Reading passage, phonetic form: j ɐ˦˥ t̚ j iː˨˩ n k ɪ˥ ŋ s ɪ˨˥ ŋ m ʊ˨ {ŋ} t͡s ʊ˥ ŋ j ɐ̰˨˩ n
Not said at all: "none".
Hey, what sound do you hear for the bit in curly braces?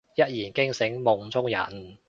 ŋ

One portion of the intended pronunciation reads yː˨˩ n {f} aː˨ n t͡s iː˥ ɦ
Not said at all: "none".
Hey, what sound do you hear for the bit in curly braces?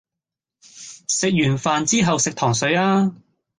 f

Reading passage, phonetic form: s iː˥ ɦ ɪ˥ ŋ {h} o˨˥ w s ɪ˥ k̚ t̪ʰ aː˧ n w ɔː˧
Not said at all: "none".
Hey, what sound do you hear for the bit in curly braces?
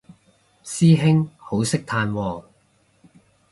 h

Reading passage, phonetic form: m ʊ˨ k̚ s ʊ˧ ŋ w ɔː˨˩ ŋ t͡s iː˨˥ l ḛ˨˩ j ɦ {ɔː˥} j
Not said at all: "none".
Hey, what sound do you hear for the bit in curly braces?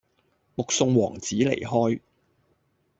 ɔː˥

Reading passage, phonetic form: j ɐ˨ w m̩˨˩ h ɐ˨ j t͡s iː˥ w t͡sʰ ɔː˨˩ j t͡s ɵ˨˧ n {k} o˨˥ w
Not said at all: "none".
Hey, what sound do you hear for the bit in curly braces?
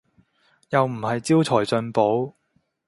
p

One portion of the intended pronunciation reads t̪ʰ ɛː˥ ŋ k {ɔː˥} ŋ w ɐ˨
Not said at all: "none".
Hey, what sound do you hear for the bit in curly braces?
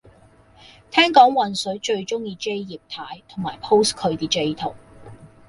ɔː˨˥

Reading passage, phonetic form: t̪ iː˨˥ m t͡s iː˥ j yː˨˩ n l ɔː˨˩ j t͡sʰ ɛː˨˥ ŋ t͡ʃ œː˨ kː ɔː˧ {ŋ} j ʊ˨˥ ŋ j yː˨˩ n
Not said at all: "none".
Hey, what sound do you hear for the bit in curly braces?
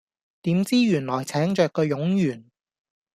none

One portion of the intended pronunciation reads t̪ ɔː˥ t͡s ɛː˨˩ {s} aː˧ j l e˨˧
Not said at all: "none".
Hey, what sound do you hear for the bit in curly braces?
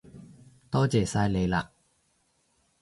s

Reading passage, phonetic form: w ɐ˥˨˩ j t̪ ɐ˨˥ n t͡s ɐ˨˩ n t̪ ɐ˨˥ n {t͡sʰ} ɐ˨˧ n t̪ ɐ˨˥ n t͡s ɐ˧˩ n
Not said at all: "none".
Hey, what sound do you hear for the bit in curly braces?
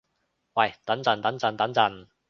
t͡s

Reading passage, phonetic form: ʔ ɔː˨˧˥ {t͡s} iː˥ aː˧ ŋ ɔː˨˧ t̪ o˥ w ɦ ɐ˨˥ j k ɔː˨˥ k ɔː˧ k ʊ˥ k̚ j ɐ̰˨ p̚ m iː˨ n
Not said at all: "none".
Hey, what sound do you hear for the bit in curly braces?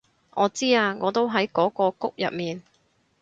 t͡s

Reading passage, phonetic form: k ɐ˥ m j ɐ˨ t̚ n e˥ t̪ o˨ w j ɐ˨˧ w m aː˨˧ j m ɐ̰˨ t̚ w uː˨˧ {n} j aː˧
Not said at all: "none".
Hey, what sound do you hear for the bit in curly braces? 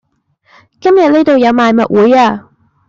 none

